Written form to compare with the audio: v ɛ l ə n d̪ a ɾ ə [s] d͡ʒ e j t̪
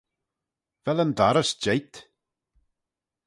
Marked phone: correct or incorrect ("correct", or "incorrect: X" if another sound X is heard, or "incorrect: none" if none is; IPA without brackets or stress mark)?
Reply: correct